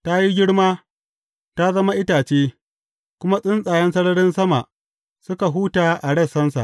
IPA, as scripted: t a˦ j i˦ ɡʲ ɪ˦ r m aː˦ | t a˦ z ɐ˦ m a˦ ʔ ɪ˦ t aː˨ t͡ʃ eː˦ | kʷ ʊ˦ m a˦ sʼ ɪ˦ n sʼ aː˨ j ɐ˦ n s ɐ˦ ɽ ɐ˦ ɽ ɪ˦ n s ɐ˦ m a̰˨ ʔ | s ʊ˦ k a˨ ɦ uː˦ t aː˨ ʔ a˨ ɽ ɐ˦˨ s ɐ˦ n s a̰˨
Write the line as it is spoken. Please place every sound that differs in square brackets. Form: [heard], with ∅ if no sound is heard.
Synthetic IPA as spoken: t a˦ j i˦ ɡʲ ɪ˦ [ɽ] m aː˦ | t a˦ z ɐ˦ m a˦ ʔ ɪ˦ t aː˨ t͡ʃ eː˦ | kʷ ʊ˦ m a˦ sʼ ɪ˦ n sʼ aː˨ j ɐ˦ n s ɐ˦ ɽ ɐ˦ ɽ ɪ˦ n s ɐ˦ m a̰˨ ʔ | s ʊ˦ k a˨ ɦ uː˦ t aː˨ ʔ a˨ ɽ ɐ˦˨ s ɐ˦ n s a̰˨

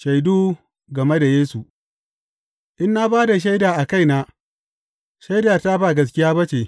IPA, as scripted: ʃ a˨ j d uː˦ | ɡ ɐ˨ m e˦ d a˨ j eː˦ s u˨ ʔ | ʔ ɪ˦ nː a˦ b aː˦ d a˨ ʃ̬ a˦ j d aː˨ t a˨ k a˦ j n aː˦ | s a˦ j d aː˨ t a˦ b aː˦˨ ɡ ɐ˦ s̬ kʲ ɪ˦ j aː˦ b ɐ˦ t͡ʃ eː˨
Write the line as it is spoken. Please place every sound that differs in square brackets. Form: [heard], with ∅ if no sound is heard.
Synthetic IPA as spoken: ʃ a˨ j d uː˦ | ɡ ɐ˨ m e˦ d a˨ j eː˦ s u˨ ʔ | ʔ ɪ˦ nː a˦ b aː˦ d a˨ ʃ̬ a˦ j d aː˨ [ʔ] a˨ k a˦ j n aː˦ | [ʃ] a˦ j d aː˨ t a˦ b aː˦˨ ɡ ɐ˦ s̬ kʲ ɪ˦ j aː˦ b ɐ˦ t͡ʃ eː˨

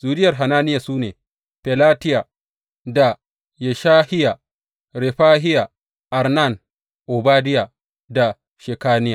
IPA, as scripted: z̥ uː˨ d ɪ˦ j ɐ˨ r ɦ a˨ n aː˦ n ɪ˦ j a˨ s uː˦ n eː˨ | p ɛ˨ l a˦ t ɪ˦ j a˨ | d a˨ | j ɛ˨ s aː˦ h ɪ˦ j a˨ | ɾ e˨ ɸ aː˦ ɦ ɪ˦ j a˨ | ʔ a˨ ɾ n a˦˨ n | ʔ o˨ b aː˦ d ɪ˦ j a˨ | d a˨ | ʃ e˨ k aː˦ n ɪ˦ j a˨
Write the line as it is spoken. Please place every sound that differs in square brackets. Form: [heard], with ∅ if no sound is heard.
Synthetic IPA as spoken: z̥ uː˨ d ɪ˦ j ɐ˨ r ɦ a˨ n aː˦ n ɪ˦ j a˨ s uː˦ n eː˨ | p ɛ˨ l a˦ t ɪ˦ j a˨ | d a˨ | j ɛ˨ [ʃ] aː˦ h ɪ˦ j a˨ | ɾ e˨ ɸ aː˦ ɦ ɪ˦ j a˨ | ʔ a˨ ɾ n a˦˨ n | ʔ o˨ b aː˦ d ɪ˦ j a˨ | d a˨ | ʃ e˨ k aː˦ n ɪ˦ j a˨

